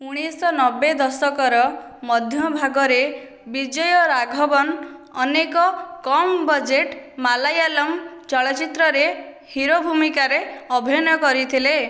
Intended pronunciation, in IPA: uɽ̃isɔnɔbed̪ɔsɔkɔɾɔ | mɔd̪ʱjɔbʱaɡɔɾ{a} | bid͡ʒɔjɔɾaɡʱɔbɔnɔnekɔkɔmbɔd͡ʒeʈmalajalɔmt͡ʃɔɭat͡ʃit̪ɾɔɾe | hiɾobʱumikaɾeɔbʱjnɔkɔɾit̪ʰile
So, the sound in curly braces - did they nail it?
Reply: no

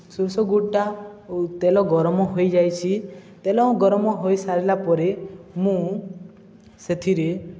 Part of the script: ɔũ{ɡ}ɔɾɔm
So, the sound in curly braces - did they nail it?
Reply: yes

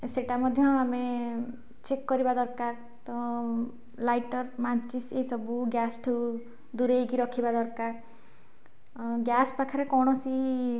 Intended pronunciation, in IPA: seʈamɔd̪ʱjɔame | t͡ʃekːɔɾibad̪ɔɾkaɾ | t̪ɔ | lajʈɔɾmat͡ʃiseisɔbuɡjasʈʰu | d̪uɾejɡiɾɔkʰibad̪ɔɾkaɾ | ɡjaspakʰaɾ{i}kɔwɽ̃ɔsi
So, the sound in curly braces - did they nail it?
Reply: no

